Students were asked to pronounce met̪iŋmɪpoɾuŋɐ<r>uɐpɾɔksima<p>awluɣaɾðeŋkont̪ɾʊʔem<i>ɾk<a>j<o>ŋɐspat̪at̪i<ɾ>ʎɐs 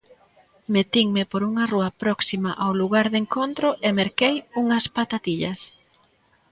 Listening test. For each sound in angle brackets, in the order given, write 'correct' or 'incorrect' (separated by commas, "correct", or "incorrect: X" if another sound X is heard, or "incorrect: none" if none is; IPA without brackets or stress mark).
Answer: correct, incorrect: ʔ, incorrect: e, incorrect: e, incorrect: u, incorrect: none